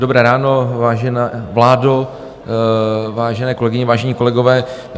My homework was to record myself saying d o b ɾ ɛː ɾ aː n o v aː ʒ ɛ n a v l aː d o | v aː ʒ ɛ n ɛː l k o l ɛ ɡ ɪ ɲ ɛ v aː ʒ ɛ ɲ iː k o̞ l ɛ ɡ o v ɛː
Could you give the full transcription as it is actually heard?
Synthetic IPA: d o b ɾ ɛː ɾ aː n o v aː ʒ ɛ n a v l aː d o | v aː ʒ ɛ n ɛː k o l ɛ ɡ ɪ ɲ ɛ v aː ʒ ɛ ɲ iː k o̞ l ɛ ɡ o v ɛː